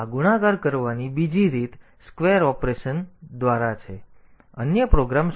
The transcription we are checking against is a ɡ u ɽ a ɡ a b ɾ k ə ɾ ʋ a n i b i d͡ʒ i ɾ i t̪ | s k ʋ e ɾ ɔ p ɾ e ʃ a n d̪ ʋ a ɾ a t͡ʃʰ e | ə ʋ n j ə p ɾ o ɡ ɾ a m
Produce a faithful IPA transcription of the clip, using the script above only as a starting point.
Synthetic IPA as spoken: a ɡ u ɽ a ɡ a ɾ k ə ɾ ʋ a n i b i d͡ʒ i ɾ i t̪ | s k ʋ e ɾ ɔ p ɾ e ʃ ə n d̪ ʋ a ɾ a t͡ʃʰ e | ə n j ə p ɾ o ɡ ɾ a m